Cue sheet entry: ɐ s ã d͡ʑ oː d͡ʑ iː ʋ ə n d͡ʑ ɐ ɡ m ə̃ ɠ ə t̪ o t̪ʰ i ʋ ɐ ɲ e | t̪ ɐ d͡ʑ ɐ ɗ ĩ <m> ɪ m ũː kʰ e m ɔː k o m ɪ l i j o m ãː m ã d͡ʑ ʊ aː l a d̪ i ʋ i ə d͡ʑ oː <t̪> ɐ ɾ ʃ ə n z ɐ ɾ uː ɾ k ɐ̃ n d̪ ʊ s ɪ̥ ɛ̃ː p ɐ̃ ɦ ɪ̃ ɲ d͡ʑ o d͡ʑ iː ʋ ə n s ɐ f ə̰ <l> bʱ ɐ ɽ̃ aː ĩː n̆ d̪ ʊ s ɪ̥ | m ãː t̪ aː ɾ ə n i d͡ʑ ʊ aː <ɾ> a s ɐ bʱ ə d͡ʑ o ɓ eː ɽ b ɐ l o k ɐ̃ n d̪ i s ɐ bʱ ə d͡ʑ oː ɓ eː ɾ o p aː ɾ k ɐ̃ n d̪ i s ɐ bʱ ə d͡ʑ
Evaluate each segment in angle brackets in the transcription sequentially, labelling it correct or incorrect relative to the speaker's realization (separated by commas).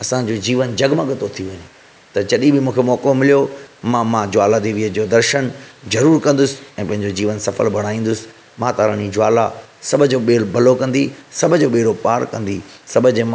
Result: incorrect, incorrect, correct, incorrect